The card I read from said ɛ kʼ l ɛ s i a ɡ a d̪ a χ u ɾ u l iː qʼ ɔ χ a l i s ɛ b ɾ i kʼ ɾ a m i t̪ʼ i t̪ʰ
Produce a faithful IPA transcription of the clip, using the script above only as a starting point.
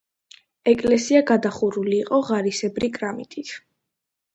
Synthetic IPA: ɛ kʼ l ɛ s i a ɡ a d̪ a χ u ɾ u l iː qʼ ɔ ʁ a ɾ i s ɛ b ɾ i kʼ ɾ a m i t̪ʼ i t̪ʰ